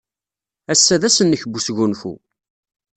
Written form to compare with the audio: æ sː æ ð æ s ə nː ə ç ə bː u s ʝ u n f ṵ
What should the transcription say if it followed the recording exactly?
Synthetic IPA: æ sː æ ð æ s ə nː ə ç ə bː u s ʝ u n f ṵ

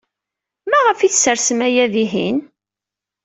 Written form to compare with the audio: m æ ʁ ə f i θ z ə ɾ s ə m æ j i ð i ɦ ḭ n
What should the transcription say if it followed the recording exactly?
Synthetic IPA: m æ ʁ ə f i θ s ə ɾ s ə m æ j æ ð i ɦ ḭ n

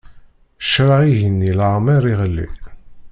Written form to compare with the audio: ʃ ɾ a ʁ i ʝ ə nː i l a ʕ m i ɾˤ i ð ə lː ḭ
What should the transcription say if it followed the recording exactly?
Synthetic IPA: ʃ ɾ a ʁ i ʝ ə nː i l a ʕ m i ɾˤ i ʁ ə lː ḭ

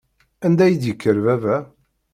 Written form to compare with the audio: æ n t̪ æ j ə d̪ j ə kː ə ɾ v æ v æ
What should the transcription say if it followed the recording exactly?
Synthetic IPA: æ n d̪ æ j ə d̪ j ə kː ə ɾ v æ v æ

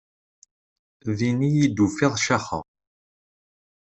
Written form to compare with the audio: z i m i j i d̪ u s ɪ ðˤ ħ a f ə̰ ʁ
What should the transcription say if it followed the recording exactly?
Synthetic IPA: ð i n i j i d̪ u f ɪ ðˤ ʃ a χ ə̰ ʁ

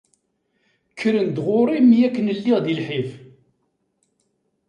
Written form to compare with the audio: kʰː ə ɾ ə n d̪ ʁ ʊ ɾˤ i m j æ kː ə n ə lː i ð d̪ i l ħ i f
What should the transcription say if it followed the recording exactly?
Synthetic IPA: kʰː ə ɾ ə n d̪ ʁ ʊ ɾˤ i m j æ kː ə n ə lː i ʁ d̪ i l ħ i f

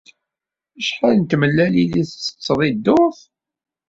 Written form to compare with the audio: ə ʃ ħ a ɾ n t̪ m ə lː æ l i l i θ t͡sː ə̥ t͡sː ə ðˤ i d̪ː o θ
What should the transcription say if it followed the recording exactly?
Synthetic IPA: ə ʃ ħ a l n t̪ m ə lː æ l i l i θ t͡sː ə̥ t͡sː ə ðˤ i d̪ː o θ

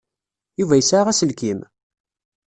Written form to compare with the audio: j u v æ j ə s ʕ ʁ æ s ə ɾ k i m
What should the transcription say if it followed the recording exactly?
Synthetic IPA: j u v æ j ə s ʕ ʁ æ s ə l k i m

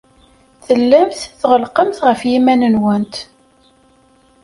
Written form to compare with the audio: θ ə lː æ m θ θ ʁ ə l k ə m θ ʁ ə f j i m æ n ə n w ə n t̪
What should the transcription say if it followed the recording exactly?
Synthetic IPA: θ ə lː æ m θ θ ʁ ə l q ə m θ ʁ ə f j i m æ n ə n w ə n t̪

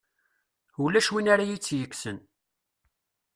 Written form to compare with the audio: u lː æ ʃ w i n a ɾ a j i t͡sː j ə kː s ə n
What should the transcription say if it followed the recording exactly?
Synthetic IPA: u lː æ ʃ w i n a ɾ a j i t͡sː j ə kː s ə n

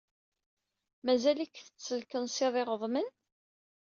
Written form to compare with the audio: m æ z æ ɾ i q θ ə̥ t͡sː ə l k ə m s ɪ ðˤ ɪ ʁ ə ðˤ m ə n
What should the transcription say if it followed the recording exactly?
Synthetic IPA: m æ z æ l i k θ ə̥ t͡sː ə l k ə n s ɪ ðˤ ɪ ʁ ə ðˤ m ə n

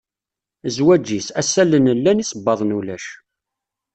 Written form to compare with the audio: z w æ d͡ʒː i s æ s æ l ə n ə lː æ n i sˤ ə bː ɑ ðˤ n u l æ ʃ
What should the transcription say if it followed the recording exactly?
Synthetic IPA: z w æ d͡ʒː i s æ s æ l ə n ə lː æ n i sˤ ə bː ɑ ðˤ n u l æ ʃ

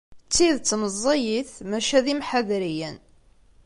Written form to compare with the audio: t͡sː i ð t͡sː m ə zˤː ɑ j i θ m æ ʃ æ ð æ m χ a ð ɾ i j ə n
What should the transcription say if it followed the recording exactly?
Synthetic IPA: t͡sː i ð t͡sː m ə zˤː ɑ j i θ m æ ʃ æ ð i m ħ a ð ɾ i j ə n

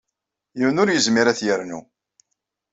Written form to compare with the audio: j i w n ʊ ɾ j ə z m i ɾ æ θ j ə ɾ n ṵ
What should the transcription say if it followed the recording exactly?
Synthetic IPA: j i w n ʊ ɾ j ə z m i ɾ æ θ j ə ɾ n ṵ

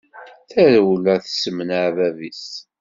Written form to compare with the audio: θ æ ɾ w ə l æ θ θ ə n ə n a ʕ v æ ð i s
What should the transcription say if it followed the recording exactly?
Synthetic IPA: θ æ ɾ w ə l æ θ s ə m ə n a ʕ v æ v i s

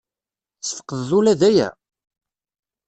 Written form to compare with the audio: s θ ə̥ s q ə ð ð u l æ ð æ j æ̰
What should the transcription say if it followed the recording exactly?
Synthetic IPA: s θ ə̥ q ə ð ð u l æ ð æ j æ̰

